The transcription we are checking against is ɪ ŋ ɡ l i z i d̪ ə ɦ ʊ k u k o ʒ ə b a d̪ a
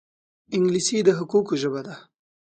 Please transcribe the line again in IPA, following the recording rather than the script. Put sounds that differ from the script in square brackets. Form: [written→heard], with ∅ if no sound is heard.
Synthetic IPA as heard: ɪ ŋ ɡ l i [z→s] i d̪ ə ɦ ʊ k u k o ʒ ə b a d̪ a